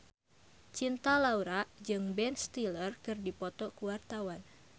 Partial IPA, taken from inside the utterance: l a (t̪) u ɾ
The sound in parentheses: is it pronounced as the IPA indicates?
no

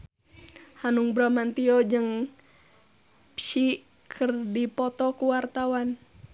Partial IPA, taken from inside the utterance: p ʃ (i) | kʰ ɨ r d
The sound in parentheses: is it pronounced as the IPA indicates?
yes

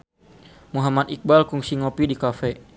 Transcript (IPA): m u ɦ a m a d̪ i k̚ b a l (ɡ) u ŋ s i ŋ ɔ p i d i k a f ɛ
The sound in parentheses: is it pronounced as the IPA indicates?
no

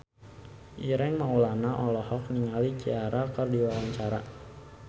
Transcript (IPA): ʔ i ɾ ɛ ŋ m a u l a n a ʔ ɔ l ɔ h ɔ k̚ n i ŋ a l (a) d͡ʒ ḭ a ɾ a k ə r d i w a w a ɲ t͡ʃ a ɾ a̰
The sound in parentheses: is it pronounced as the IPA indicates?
no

